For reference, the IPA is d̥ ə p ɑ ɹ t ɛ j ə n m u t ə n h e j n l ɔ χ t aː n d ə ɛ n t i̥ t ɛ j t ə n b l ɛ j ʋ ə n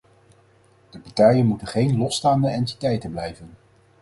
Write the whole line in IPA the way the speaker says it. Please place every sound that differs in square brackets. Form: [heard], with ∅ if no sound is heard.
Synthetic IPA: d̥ ə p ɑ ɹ t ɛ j ə n m u t ə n [χ] e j n l ɔ [s] t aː n d ə ɛ n t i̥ t ɛ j t ə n b l ɛ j [v] ə n

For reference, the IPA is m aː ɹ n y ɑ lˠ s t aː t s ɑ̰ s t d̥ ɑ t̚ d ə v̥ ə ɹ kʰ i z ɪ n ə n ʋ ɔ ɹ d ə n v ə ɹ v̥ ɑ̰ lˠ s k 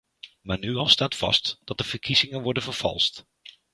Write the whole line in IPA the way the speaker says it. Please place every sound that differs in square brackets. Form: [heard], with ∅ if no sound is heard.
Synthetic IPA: m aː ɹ n y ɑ lˠ s t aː t [f] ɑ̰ s t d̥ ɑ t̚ d ə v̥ ə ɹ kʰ i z ɪ [ŋ] ə n ʋ ɔ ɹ d ə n v ə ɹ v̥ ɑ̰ lˠ s [t]

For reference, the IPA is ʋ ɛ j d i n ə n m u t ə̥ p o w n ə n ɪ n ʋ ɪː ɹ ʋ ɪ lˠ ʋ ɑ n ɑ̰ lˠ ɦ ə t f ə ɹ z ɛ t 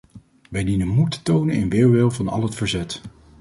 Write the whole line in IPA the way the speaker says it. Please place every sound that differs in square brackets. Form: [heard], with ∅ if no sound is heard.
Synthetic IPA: ʋ ɛ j d i n ə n m u t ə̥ [t] o w n ə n ɪ n ʋ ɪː ɹ ʋ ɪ lˠ [v] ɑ n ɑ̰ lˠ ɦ ə t f ə ɹ z ɛ t

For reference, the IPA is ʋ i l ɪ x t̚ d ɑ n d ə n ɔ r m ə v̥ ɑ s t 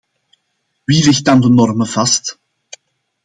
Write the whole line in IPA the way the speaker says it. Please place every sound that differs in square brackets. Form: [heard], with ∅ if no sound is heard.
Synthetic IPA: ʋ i l ɪ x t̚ d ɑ n d ə n ɔ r m ə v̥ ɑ s t

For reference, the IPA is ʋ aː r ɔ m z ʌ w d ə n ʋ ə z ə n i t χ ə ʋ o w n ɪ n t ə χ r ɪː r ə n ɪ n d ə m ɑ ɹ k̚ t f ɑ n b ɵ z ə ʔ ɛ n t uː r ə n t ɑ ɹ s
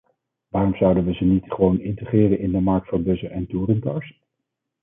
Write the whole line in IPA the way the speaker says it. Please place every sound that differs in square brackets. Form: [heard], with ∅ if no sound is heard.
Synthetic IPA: ʋ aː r ɔ m z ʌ w d ə n ʋ ə z ə n i t χ ə ʋ o w n ɪ n t ə χ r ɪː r ə n ɪ n d ə m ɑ ɹ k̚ t f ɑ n b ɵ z ə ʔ ɛ n t uː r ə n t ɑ ɹ s

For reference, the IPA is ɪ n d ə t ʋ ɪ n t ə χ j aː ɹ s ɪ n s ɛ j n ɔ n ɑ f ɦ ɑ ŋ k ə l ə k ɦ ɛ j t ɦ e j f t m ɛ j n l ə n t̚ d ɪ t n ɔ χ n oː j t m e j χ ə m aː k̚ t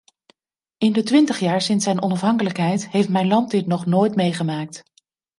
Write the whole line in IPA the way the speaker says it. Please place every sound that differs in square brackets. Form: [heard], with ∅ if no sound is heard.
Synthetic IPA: ɪ n d ə t ʋ ɪ n t ə χ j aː ɹ s ɪ n s ɛ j n ɔ n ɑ f ɦ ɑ ŋ k ə l ə k ɦ ɛ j t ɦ e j f t m ɛ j n l [ɑ] n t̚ d ɪ t n ɔ χ n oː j t m e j χ ə m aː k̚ t

